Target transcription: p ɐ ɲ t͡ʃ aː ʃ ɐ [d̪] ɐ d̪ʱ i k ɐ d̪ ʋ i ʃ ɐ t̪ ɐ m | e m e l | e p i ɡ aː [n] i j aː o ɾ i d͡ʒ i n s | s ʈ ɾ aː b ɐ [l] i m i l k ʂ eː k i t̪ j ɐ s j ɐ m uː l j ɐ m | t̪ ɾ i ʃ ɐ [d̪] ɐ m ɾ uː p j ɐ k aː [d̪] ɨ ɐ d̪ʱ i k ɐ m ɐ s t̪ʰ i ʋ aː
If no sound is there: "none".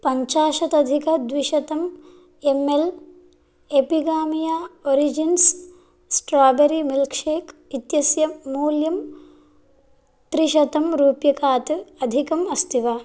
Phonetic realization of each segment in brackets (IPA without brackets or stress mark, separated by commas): t̪, m, ɾ, t̪, t̪